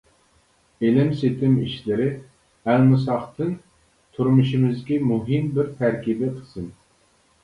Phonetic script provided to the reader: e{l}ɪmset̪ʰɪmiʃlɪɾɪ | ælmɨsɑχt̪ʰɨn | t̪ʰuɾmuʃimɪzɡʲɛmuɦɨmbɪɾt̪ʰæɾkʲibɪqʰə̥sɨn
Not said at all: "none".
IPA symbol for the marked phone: l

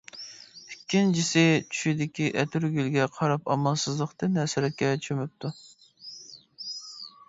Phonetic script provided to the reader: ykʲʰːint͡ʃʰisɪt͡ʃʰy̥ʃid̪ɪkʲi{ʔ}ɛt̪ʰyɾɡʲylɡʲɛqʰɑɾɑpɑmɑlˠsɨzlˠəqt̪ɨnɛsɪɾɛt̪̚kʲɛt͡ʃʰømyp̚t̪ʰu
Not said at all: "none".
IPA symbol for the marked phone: ʔ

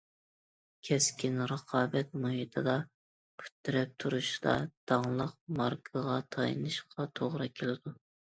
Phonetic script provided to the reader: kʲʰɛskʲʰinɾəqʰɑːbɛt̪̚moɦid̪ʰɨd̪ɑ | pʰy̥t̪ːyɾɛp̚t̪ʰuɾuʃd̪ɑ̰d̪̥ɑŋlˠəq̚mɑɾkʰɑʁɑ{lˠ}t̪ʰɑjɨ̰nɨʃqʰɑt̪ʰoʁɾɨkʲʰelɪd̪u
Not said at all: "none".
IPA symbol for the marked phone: none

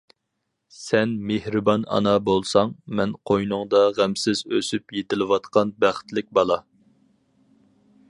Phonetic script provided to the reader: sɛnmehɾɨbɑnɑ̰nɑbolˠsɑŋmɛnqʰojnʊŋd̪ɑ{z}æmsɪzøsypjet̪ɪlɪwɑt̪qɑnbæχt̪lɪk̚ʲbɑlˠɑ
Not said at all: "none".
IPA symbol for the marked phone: ʁ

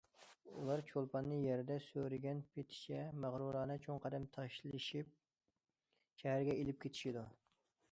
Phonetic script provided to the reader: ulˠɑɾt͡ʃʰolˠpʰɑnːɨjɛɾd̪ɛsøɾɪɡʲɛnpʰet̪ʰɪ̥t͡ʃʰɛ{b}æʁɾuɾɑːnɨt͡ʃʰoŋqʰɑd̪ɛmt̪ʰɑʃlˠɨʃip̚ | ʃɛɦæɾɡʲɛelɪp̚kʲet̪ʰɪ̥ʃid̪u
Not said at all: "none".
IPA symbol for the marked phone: m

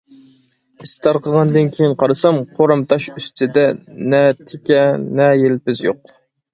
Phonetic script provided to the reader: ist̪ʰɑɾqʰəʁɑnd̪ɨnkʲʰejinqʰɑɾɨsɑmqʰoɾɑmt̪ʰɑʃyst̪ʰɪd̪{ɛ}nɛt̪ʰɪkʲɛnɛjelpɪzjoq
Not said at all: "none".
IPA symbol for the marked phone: ɛ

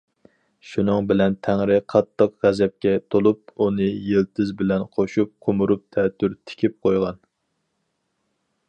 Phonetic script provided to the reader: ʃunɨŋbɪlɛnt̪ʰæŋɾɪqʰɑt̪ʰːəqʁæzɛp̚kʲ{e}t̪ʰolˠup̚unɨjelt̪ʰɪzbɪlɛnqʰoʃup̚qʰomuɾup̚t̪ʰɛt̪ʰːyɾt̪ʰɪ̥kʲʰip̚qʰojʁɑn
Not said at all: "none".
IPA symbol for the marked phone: ɛ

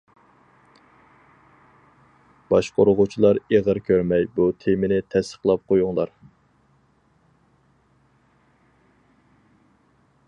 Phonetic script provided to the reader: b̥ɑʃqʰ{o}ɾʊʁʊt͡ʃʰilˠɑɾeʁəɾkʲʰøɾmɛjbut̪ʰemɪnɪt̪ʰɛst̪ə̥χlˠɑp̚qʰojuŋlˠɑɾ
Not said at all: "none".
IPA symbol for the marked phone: o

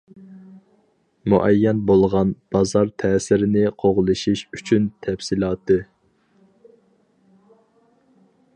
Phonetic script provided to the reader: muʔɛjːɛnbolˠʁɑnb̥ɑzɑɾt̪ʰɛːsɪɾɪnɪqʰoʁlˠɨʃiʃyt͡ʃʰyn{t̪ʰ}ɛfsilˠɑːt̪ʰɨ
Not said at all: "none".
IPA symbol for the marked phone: t̪ʰ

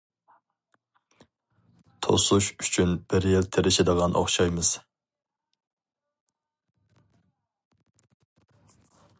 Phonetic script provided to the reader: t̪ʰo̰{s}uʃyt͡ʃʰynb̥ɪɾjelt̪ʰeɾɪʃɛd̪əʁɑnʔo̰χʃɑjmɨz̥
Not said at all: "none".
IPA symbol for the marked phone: s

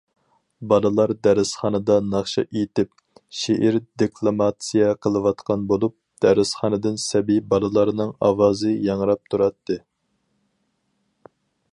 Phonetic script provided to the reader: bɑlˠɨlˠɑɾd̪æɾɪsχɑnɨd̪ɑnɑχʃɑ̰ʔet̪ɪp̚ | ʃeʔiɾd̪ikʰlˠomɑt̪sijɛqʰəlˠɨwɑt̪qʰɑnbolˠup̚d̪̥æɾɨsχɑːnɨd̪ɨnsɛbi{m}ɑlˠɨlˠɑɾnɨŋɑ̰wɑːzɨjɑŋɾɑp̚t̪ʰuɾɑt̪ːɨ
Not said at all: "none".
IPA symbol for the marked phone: b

